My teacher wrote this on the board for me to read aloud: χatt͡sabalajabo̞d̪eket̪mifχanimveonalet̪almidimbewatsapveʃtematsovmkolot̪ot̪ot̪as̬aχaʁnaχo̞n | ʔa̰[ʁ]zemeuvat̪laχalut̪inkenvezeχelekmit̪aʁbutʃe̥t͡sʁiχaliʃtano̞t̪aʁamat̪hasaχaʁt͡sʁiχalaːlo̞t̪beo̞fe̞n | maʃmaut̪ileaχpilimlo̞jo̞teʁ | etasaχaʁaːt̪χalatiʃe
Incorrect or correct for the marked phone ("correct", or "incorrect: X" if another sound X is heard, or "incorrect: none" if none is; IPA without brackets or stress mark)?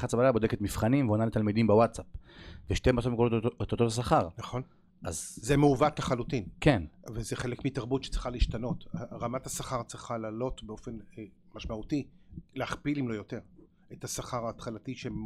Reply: incorrect: z